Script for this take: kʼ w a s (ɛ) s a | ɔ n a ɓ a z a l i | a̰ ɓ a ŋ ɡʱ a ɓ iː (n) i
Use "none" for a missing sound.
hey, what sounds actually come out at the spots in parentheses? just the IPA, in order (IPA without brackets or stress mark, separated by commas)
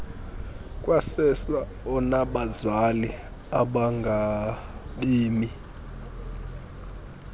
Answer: ɛ, m